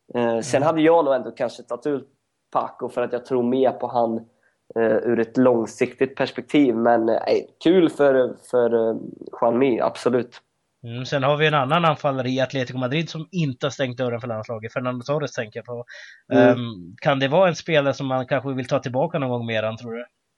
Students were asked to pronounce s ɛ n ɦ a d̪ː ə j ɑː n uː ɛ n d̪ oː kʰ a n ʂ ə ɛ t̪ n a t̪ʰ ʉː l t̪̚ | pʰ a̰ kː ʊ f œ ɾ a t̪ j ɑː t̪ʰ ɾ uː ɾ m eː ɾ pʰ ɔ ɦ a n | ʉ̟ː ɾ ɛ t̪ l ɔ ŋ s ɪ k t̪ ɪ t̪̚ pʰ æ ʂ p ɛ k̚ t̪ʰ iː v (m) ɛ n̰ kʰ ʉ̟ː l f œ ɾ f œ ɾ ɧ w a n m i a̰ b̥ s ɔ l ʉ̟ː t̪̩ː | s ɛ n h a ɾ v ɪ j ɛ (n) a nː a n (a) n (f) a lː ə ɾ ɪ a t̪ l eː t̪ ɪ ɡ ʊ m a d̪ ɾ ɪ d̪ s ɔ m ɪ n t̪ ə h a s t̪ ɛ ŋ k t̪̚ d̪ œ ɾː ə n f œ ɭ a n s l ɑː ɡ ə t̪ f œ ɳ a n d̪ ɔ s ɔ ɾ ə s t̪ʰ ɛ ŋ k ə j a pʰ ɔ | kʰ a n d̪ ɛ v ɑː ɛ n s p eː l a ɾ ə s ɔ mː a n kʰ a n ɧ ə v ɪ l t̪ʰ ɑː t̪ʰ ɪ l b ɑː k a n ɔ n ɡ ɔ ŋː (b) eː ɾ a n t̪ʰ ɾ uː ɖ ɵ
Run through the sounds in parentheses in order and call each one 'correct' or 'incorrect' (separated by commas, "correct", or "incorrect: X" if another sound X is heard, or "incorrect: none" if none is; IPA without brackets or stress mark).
correct, correct, correct, correct, incorrect: m